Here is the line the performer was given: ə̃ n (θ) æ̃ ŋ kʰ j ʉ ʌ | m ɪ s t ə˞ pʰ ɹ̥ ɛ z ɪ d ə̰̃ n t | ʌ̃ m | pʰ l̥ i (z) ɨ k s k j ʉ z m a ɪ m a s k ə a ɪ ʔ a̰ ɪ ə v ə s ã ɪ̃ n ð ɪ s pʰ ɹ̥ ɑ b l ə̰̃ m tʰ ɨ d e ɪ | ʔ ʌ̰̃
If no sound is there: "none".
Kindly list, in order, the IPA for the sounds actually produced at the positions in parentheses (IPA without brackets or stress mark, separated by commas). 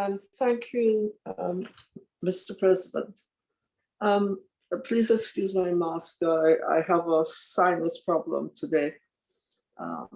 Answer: θ, z